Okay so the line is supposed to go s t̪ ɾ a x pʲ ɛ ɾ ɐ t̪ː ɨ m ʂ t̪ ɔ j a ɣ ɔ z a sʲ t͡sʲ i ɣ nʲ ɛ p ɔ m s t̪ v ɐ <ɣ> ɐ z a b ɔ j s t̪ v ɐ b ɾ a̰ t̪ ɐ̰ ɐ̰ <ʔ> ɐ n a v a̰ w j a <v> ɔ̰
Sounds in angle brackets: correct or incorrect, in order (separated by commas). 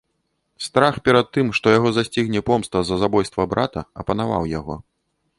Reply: incorrect, incorrect, incorrect